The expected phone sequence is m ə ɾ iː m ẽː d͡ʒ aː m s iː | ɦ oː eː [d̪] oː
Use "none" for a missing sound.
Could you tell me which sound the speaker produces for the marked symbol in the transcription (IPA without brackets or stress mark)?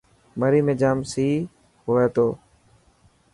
t̪